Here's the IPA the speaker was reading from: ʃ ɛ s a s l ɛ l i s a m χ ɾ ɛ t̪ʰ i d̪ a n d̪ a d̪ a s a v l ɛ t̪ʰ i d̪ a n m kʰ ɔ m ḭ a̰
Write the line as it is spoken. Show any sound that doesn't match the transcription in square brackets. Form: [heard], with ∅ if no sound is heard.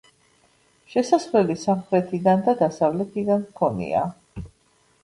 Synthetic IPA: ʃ ɛ s a s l ɛ l i s a m χ ɾ ɛ t̪ʰ i d̪ a n d̪ a d̪ a s a v l ɛ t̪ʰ i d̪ a n m kʰ ɔ [n] ḭ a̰